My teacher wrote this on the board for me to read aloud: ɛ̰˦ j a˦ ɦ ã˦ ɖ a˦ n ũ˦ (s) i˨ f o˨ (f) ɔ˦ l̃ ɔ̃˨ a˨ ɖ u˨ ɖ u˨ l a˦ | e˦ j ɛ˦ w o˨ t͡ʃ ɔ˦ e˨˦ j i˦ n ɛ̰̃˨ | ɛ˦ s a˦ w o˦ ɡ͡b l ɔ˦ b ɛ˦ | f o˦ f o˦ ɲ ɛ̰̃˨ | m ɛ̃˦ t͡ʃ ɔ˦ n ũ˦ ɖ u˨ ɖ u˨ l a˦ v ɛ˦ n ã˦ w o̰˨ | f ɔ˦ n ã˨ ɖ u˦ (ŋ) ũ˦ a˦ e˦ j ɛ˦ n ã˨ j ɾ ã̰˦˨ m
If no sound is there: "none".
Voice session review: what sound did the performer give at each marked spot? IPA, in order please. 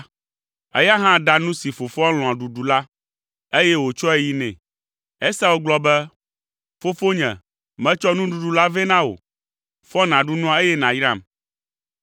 s, f, n

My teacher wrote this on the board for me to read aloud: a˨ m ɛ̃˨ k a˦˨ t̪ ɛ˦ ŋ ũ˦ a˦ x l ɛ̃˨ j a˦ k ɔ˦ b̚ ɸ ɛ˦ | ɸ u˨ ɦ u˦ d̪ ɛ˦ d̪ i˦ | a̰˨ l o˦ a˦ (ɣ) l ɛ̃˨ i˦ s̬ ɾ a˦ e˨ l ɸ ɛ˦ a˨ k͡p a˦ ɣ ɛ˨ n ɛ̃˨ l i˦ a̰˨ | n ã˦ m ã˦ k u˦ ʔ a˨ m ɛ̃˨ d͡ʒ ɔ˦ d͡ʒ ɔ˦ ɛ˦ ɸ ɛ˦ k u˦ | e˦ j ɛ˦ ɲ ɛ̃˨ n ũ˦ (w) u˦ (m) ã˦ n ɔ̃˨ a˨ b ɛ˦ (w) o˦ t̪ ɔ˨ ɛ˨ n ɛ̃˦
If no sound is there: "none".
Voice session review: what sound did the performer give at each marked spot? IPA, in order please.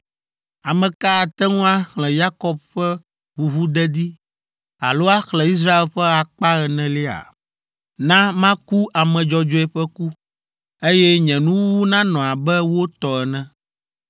x, w, n, w

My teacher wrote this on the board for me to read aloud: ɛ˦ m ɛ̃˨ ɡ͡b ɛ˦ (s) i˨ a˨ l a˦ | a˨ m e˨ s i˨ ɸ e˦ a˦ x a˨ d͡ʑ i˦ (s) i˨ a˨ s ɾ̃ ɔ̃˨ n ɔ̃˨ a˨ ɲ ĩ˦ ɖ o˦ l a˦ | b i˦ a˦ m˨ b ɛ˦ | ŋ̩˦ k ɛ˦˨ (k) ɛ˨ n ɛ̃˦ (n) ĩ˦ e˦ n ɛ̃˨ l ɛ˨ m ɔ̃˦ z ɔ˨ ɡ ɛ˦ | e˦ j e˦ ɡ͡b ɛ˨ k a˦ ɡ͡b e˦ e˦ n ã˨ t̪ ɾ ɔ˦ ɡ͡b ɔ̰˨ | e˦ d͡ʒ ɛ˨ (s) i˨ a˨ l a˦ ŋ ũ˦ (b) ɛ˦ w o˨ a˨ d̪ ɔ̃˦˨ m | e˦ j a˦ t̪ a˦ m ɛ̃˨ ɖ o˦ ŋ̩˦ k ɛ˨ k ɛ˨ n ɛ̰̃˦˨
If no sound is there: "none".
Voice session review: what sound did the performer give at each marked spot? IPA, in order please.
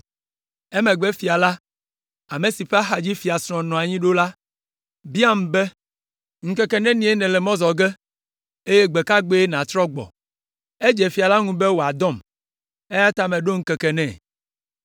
f, f, k, n, f, b

